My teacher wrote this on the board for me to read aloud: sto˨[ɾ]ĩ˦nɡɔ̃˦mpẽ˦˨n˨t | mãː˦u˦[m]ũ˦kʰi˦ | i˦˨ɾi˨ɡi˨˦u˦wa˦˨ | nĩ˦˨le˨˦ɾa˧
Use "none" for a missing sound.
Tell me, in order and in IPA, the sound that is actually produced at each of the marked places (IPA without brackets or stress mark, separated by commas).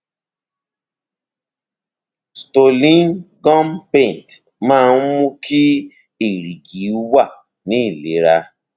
l, m